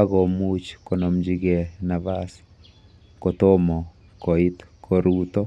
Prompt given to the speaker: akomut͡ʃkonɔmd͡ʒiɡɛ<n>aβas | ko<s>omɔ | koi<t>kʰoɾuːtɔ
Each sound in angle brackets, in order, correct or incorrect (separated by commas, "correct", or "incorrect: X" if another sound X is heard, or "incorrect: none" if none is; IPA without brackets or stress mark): correct, incorrect: t, correct